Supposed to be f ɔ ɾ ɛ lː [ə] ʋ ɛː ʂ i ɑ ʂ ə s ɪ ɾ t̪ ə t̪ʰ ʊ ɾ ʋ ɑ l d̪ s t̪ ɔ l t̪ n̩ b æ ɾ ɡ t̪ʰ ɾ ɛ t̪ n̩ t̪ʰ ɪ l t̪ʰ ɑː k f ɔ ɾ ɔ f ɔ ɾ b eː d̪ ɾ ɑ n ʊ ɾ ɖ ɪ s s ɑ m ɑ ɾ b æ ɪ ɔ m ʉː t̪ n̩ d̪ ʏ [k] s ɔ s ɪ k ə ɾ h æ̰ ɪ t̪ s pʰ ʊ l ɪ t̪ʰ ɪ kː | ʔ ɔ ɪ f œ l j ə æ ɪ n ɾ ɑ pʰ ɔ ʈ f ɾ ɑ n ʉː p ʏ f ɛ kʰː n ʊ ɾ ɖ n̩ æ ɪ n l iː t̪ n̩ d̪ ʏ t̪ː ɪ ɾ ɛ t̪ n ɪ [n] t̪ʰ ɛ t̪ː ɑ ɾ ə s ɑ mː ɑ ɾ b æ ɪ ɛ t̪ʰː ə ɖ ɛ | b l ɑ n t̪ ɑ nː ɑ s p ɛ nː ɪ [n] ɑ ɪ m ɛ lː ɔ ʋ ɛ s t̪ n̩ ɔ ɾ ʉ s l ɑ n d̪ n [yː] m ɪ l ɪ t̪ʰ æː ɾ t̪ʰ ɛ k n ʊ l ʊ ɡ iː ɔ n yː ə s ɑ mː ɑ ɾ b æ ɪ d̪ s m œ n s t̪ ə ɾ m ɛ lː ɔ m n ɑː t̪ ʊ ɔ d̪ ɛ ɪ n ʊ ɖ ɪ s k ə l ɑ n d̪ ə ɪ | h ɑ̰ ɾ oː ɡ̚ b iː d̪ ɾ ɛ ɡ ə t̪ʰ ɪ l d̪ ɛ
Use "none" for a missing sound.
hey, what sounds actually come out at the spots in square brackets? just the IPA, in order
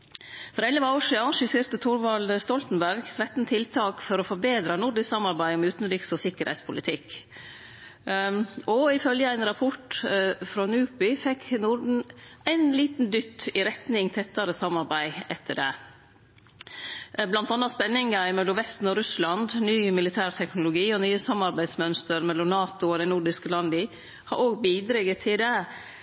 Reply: ə, k, ŋ, ŋ, yː

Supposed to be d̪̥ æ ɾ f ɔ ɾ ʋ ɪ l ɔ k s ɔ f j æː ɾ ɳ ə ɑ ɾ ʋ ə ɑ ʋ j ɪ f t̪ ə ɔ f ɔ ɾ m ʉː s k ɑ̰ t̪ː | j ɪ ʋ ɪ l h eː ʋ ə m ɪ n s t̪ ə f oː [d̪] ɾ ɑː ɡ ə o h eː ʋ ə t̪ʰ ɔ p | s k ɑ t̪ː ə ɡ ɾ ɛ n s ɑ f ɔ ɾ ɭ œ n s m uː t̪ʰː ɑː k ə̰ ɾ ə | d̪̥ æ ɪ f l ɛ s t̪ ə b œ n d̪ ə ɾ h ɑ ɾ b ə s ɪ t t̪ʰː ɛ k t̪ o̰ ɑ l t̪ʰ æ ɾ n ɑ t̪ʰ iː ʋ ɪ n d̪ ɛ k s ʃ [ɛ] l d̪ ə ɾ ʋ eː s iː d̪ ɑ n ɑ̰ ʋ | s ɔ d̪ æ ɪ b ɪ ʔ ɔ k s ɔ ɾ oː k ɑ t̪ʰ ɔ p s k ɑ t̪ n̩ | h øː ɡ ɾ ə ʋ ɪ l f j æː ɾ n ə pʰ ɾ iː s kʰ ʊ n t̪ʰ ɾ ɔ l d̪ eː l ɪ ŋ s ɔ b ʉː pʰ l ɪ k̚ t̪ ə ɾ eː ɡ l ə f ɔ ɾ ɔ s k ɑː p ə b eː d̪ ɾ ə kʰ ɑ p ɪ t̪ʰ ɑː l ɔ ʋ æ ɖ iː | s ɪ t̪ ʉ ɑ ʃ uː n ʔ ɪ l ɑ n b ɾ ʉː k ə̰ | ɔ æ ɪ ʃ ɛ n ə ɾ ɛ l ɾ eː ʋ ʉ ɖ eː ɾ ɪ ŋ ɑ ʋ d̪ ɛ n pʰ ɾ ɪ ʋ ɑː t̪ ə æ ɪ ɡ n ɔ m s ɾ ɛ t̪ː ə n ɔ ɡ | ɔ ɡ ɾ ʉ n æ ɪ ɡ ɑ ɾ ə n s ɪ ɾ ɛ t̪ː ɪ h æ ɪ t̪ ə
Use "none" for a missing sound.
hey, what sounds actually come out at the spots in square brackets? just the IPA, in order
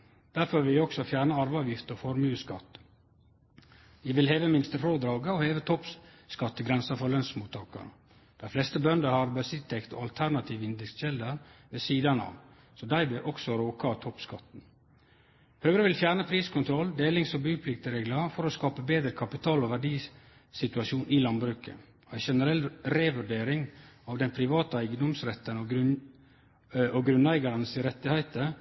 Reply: d̪, ɛ

